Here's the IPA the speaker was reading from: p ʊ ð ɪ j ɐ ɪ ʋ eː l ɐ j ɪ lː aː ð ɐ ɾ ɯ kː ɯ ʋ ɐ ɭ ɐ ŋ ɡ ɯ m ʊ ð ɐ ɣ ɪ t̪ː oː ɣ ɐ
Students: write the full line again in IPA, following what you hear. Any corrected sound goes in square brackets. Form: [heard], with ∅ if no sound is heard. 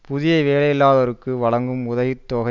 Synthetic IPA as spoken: p ʊ ð ɪ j ɐ ɪ ʋ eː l ɐ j ɪ lː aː ð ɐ ɾ ɯ kː ɯ ʋ ɐ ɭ ɐ ŋ ɡ ɯ m ʊ ð ɐ ɣ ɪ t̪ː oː ɣ ɐ

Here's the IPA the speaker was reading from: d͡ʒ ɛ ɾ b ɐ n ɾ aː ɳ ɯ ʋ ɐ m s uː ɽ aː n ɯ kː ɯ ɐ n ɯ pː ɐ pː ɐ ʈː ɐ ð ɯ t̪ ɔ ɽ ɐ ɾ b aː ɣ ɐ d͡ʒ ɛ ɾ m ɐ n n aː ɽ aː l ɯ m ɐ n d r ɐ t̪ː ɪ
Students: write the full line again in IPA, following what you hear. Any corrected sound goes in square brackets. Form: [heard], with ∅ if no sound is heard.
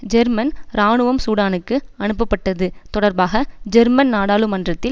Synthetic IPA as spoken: d͡ʒ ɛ ɾ [m] ɐ n ɾ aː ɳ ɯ ʋ ɐ m s uː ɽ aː n ɯ kː ɯ ɐ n ɯ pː ɐ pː ɐ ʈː ɐ ð ɯ t̪ ɔ ɽ ɐ ɾ b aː ɣ ɐ d͡ʒ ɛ ɾ m ɐ n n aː ɽ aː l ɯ m ɐ n d r ɐ t̪ː ɪ

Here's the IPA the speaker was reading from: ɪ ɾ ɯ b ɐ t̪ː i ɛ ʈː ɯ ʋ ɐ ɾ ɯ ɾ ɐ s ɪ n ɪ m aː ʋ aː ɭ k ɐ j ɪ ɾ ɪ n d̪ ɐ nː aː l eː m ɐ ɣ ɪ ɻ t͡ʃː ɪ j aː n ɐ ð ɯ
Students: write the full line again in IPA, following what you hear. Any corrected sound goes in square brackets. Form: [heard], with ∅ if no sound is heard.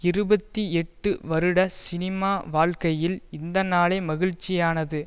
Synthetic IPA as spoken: ɪ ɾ ɯ b ɐ t̪ː i ɛ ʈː ɯ ʋ ɐ ɾ ɯ [ɽ] ɐ s ɪ n ɪ m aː ʋ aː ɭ k ɐ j ɪ [l] ɪ n d̪ ɐ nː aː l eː m ɐ ɣ ɪ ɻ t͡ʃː ɪ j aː n ɐ ð ɯ

